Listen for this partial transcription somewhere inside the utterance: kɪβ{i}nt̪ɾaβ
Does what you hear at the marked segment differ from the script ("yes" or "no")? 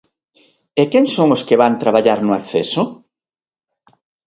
yes